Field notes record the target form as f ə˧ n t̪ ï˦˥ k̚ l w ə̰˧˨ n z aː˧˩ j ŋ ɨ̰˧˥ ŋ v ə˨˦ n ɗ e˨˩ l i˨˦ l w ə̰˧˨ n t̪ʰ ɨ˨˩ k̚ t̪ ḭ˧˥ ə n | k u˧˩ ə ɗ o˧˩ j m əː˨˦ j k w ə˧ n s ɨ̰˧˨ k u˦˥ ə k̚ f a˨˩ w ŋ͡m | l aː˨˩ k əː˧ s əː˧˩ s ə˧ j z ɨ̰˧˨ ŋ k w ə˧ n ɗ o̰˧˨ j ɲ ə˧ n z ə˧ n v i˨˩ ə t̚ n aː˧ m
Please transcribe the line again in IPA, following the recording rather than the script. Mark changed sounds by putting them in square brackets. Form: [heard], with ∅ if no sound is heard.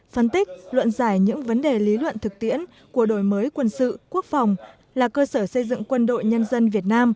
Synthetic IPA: f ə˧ n t̪ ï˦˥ k̚ l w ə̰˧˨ n z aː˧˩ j [ɲ] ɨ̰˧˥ ŋ v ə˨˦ n ɗ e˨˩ l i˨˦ l w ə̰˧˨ n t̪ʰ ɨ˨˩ k̚ t̪ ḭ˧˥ ə n | k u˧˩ ə ɗ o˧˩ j m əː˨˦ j k w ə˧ n s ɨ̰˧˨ k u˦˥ ə k̚ f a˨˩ w ŋ͡m | l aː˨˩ k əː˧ s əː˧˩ s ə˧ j z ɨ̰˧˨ ŋ k w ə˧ n ɗ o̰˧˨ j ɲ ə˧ n z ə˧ n v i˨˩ ə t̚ n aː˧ m